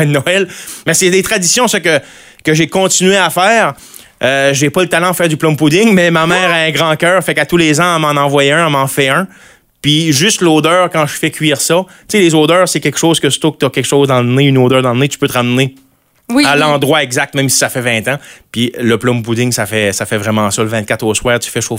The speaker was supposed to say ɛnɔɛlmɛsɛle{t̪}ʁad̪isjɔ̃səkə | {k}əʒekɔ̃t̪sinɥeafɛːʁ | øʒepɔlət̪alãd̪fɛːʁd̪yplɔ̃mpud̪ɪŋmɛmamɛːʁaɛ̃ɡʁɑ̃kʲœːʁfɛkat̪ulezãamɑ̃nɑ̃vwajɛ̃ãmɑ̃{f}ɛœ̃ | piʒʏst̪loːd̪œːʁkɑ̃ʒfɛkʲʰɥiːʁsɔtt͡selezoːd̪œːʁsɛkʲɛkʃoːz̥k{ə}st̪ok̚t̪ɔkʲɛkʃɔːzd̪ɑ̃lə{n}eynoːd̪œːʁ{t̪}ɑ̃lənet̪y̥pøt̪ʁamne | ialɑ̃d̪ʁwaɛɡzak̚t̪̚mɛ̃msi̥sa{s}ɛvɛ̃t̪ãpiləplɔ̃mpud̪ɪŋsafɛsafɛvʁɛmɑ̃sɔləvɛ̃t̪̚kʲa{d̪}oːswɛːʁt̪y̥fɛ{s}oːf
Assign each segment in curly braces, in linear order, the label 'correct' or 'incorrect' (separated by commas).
correct, correct, correct, correct, correct, incorrect, incorrect, incorrect, incorrect